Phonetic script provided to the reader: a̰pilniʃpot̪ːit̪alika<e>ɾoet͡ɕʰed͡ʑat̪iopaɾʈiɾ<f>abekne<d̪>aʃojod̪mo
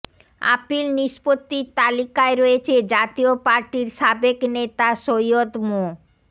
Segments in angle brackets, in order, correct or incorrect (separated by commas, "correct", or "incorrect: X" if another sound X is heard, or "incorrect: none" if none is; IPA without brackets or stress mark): correct, incorrect: ʃ, incorrect: t̪